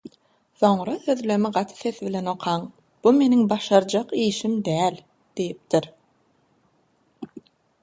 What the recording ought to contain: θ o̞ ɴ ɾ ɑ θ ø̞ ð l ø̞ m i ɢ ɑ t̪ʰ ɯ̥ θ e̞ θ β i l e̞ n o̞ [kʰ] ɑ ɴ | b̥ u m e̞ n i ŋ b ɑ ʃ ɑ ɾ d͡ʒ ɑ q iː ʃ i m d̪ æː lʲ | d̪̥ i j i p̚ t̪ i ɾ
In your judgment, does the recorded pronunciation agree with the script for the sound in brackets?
no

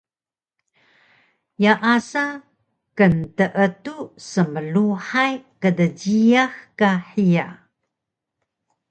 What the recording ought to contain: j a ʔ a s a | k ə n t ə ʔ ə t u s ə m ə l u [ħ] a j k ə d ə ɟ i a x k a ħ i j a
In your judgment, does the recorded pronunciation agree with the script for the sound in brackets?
yes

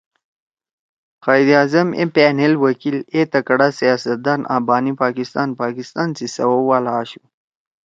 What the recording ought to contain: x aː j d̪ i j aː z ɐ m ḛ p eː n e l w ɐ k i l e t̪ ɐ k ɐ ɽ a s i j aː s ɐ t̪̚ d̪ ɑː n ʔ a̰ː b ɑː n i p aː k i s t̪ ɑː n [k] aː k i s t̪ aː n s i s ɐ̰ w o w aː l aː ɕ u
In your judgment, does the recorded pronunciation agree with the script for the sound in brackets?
no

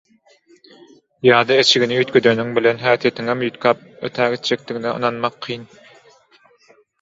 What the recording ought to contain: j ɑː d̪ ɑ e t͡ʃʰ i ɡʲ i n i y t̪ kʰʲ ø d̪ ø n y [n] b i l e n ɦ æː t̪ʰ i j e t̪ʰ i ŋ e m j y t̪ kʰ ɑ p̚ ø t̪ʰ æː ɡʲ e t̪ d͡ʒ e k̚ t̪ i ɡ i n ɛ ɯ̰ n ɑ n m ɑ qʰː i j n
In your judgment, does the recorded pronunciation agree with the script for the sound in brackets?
no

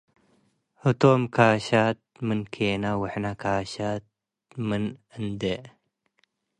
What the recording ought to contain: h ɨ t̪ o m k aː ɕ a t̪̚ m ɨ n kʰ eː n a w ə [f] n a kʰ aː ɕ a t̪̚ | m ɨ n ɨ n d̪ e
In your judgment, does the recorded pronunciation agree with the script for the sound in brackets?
no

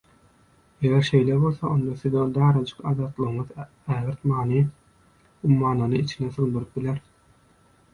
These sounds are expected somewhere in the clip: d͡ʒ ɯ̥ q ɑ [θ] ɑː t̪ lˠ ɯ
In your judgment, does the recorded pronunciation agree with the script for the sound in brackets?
no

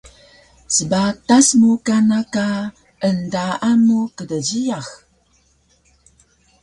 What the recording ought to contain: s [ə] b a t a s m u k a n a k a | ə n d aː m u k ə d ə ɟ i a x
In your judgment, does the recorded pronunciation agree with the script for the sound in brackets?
yes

